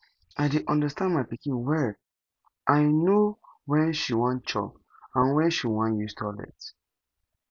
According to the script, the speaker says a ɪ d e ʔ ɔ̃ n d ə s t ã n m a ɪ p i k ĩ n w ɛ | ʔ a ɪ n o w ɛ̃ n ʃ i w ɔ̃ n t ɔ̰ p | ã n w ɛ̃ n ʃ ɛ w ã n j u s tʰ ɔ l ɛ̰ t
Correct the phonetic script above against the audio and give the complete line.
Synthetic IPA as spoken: a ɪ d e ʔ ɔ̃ n d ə s t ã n m a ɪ p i k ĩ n w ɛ | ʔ a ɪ n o w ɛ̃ n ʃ i w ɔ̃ n t͡ʃ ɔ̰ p | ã n w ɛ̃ n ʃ i w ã n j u s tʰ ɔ l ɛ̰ t